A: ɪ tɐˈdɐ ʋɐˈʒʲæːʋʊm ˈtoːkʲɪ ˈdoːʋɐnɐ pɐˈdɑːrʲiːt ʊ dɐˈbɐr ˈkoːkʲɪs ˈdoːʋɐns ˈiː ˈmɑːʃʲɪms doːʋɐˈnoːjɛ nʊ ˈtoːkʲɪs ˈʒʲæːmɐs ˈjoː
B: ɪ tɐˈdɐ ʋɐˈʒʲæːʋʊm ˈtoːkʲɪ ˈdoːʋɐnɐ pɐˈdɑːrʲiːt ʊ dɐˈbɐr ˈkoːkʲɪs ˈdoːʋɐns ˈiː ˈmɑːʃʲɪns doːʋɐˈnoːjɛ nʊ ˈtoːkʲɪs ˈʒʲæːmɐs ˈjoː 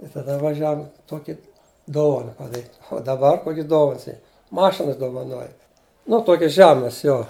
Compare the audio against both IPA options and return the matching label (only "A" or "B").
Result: B